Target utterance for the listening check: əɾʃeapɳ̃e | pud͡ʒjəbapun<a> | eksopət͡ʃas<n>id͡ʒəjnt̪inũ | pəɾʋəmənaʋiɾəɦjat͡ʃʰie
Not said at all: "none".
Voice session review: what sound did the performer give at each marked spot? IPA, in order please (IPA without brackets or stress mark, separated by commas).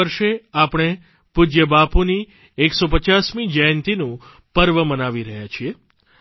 i, m